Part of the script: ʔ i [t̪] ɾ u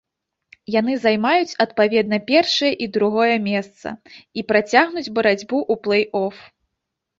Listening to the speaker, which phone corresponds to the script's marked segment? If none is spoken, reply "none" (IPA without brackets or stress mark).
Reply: d̪